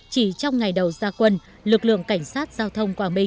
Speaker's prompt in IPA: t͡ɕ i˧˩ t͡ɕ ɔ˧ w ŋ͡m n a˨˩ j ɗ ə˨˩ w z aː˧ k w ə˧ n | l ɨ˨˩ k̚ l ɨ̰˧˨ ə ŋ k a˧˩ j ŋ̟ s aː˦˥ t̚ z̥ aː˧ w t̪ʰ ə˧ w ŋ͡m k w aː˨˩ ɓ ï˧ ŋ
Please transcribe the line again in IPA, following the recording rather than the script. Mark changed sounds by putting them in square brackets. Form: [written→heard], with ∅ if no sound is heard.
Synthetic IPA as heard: t͡ɕ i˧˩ t͡ɕ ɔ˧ w ŋ͡m [n→ŋ] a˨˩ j ɗ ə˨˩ w z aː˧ k w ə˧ n | l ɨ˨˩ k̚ l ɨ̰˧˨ ə ŋ k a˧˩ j ŋ̟ s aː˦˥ t̚ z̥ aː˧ w t̪ʰ ə˧ w ŋ͡m k w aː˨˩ ɓ ï˧ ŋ